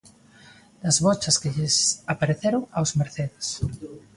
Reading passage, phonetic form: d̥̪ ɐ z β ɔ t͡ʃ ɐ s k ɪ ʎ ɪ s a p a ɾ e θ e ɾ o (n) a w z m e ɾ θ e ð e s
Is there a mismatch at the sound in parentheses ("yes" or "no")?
yes